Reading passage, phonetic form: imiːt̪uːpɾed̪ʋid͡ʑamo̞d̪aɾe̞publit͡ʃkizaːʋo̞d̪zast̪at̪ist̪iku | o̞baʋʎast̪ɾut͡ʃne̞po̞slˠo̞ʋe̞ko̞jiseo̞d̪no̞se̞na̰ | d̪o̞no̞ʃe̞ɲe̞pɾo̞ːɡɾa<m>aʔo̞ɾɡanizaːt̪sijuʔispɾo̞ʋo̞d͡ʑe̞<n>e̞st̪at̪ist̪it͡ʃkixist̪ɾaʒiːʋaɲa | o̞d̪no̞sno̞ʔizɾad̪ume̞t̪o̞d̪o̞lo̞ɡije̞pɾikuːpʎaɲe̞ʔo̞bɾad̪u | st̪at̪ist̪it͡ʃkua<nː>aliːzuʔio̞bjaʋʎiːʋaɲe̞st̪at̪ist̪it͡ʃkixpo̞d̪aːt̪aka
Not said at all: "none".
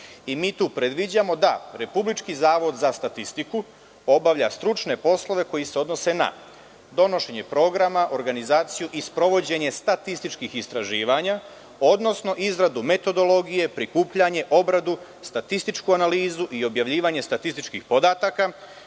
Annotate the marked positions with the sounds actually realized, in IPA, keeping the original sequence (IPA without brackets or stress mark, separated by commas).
m, ɲ, n